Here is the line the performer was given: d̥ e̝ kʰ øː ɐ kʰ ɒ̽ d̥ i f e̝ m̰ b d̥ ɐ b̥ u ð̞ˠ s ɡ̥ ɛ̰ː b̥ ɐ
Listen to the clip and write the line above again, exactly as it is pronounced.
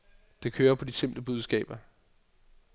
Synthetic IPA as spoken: d̥ e̝ kʰ øː ɐ pʰ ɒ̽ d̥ i s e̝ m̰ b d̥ ə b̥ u ð̞ˠ s ɡ̥ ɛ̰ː b̥ ɐ